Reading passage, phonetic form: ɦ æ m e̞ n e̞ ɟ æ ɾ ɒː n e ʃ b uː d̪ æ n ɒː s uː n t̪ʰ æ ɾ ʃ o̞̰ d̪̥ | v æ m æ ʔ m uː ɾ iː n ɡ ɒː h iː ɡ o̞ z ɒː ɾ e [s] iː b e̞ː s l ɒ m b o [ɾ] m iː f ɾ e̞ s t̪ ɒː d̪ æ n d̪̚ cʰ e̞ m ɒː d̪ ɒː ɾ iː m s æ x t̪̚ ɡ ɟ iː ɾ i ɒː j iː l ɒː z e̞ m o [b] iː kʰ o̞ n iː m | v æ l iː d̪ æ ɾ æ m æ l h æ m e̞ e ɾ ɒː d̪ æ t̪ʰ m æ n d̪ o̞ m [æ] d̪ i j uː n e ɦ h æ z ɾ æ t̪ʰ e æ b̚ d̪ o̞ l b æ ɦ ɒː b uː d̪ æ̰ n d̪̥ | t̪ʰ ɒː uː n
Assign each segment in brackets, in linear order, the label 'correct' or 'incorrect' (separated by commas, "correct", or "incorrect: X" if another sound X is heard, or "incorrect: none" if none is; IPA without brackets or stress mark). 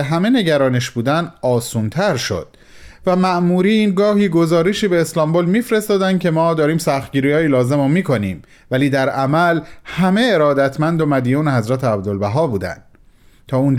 incorrect: ʃ, incorrect: l, incorrect: m, correct